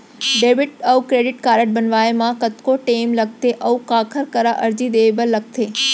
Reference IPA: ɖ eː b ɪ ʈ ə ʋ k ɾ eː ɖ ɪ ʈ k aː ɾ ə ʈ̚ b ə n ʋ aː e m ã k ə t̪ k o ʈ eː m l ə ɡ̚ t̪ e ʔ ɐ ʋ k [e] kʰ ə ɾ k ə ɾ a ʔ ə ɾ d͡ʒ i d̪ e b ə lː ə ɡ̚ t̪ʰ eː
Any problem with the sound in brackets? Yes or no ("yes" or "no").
yes